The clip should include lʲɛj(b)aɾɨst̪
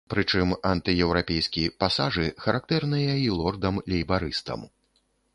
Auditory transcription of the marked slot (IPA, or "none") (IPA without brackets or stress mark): b